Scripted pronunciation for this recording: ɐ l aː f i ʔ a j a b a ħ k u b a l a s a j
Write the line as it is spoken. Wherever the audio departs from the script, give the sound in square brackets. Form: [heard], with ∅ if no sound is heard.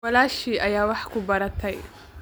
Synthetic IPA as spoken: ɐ l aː [ʃ] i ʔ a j a [w] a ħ k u b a [ɾ] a [t] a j